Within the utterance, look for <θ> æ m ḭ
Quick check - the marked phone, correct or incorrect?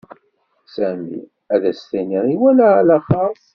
incorrect